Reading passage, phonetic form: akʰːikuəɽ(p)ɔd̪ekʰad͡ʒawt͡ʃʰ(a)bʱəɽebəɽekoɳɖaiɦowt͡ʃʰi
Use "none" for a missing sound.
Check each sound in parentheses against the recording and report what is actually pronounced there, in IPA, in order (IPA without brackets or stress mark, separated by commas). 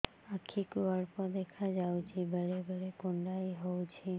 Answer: p, i